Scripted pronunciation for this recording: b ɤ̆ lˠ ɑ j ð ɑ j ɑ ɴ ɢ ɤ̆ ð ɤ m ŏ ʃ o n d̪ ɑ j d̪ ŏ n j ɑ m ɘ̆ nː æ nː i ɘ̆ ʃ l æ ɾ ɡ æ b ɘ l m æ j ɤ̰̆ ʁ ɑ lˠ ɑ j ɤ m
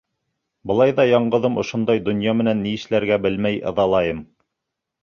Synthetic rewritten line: b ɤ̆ lˠ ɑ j ð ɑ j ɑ ɴ ɢ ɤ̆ ð ɤ m ŏ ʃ o n d̪ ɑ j d̪ ŏ n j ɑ m ɘ̆ n æ nː i ɘ̆ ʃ l æ ɾ ɡ æ b ɘ l m æ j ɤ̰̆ ð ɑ lˠ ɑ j ɤ m